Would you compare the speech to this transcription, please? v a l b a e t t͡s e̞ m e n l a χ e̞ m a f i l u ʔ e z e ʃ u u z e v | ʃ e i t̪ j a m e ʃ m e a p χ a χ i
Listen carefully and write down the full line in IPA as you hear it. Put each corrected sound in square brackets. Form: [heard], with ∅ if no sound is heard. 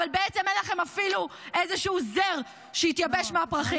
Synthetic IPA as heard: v a l b [e] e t t͡s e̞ m e n l a χ e̞ m a f i l u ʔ e z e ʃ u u z e [ʁ] | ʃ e i t̪ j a [b] e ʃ m e a p [ʁ] a χ i